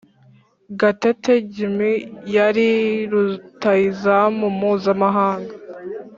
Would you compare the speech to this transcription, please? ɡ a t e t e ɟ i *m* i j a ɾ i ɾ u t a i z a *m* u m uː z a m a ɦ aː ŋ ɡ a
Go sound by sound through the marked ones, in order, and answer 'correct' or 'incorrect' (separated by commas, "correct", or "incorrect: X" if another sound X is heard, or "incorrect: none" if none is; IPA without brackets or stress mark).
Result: correct, correct